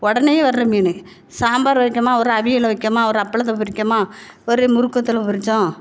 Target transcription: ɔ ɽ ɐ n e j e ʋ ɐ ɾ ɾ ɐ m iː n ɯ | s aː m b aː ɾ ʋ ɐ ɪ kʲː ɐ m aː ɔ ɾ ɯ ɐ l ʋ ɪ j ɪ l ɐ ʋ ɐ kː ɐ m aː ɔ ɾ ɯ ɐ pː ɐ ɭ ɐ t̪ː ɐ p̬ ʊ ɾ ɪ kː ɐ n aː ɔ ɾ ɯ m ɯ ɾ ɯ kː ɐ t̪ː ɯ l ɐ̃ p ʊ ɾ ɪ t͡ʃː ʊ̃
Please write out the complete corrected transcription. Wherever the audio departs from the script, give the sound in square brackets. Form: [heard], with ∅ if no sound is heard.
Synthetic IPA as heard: ɔ ɽ ɐ n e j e ʋ ɐ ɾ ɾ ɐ m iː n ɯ | s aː m b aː ɾ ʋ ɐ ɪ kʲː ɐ m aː ɔ ɾ ɯ ɐ [∅] ʋ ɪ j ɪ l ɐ ʋ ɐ kː ɐ m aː ɔ ɾ ɯ ɐ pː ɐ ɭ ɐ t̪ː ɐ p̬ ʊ ɾ ɪ kː ɐ [m] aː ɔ ɾ ɯ m [ʊ] ɾ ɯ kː ɐ t̪ː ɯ l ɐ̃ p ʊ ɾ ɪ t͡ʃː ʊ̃